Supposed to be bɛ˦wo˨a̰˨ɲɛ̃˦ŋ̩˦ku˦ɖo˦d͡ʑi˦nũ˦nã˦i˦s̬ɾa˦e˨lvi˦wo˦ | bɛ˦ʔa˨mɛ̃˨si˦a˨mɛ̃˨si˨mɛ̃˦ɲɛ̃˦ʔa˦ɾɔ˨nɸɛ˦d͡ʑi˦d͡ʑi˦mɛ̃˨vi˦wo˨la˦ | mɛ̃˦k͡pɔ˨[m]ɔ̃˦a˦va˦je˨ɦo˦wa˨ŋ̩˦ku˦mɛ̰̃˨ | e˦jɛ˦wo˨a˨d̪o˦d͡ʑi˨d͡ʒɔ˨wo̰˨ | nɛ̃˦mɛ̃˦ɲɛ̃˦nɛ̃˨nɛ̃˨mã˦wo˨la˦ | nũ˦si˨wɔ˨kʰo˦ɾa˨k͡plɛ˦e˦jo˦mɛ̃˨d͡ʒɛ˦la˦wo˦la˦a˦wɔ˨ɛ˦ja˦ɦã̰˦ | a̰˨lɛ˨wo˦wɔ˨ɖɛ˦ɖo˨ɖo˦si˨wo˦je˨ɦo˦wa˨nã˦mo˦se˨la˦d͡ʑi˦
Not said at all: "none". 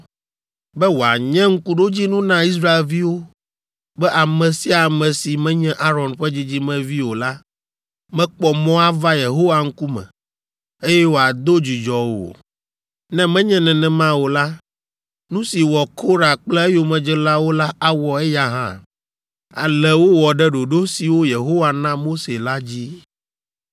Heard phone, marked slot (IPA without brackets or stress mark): m